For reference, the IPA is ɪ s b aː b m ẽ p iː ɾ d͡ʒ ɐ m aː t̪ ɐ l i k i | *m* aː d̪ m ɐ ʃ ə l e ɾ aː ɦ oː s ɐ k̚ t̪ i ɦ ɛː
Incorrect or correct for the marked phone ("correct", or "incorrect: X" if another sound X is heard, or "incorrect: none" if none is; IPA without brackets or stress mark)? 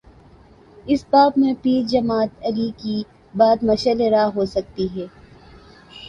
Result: incorrect: b